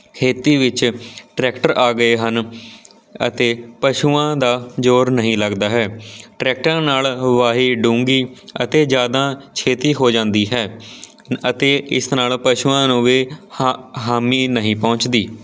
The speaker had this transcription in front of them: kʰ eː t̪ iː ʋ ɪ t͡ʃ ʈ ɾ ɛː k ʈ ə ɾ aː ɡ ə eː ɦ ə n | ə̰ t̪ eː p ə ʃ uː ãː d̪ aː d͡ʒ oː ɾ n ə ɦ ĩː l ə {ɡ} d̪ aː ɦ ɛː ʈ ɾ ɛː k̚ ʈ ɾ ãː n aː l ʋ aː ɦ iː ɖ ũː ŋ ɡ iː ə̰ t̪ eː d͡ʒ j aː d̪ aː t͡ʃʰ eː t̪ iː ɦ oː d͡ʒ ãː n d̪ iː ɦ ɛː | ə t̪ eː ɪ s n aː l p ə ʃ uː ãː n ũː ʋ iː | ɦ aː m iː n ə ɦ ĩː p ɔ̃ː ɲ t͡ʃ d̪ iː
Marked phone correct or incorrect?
correct